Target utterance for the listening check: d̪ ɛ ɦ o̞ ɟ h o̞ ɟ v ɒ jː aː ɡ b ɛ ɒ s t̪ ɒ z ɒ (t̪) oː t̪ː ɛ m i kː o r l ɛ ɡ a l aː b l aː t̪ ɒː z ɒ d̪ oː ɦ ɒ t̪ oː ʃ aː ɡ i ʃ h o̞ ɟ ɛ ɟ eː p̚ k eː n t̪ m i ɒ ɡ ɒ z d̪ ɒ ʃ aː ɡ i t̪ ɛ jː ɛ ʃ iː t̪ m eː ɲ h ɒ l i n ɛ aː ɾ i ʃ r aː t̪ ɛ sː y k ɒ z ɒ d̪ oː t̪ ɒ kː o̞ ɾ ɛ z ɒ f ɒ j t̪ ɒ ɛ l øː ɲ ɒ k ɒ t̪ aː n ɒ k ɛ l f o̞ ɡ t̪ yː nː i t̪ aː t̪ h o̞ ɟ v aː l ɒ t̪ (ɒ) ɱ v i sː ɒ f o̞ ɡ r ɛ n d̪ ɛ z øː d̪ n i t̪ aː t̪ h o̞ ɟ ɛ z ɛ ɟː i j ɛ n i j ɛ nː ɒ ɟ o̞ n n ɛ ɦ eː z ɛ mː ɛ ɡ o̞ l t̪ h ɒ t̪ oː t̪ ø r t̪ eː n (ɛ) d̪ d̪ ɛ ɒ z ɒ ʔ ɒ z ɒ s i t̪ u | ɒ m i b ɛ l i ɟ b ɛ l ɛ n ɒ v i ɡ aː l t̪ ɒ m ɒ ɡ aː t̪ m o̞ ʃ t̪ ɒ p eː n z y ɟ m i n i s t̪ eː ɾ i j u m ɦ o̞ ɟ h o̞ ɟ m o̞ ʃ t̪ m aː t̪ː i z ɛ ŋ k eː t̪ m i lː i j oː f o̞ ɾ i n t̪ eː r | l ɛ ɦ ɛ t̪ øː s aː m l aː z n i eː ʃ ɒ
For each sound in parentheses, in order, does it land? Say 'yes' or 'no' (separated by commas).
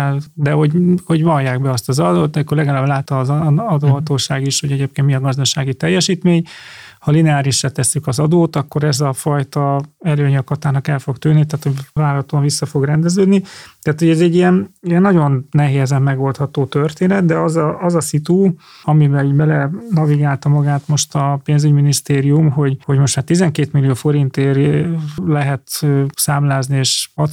no, no, yes